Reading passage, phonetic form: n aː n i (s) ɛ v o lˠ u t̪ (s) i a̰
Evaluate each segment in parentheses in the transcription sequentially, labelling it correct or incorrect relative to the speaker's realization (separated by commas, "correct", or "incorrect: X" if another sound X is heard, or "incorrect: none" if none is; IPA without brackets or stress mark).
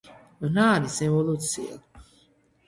correct, correct